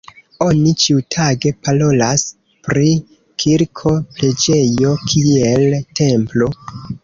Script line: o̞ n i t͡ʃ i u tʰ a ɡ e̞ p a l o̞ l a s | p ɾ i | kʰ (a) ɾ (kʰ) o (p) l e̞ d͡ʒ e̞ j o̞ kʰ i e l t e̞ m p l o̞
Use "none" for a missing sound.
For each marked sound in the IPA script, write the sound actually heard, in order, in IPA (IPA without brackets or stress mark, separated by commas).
i, kʰ, p